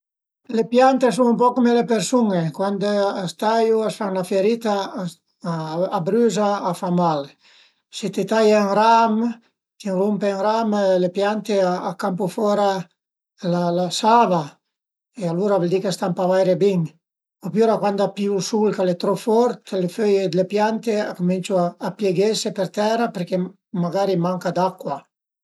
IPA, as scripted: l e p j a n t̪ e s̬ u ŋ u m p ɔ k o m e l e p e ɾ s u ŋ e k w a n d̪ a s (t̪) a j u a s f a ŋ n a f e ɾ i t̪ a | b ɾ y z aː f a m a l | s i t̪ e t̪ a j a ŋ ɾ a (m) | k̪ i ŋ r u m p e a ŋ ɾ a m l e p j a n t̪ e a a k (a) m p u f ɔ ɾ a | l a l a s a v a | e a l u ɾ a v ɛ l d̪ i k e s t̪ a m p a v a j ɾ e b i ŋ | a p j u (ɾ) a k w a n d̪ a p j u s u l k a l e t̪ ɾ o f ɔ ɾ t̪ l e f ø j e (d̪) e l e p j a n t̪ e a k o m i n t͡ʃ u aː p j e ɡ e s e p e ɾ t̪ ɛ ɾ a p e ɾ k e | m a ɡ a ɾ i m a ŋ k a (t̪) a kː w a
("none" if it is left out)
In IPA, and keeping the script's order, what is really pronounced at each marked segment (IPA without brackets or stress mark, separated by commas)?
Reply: t̪, m, a, ɾ, d̪, d̪